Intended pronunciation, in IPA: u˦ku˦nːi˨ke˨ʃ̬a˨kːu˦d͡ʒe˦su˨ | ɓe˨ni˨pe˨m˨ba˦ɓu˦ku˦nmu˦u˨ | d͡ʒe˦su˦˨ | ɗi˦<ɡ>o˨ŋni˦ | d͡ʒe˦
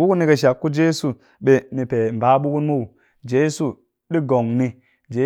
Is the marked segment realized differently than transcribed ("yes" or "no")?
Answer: no